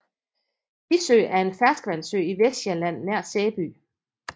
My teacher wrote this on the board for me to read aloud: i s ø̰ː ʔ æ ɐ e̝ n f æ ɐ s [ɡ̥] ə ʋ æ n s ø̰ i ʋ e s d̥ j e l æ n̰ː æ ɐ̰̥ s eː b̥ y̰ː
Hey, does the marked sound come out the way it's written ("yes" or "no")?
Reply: yes